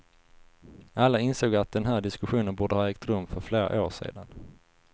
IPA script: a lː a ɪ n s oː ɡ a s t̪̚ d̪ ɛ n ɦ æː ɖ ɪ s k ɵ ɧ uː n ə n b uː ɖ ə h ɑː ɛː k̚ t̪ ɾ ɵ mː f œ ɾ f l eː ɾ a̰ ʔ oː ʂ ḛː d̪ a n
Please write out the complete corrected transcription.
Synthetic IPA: a lː a ɪ n s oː ɡ a t̪̚ d̪ ɛ n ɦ æː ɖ ɪ s k ɵ ɧ uː n ə n b uː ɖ ə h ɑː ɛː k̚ t̪ ɾ ɵ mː f œ ɾ f l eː ɾ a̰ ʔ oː ʂ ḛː d̪ a n